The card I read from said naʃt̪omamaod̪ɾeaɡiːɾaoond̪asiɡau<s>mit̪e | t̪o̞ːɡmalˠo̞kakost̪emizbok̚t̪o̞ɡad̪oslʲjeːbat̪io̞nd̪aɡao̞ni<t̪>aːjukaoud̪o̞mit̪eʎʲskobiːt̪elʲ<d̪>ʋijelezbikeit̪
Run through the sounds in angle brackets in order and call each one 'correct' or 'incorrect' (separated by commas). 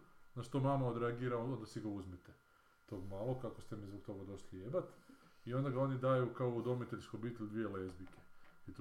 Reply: incorrect, incorrect, correct